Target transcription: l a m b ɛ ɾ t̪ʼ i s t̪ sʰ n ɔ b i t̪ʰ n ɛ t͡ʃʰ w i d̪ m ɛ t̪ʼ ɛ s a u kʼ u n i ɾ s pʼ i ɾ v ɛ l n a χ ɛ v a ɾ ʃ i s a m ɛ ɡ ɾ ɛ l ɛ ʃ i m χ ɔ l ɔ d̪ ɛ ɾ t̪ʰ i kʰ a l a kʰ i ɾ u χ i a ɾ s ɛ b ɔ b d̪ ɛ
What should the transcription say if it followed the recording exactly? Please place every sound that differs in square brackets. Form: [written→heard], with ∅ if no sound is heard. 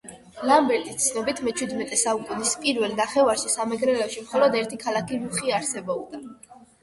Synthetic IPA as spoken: l a m b ɛ ɾ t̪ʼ i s t̪ sʰ n ɔ b i t̪ʰ [n→m] ɛ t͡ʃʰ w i d̪ m ɛ t̪ʼ ɛ s a u kʼ u n i [ɾ→∅] s pʼ i ɾ v ɛ l n a χ ɛ v a ɾ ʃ i s a m ɛ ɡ ɾ ɛ l ɛ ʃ i m χ ɔ l ɔ d̪ ɛ ɾ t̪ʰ i kʰ a l a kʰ i ɾ u χ i a ɾ s ɛ b ɔ b d̪ [ɛ→a]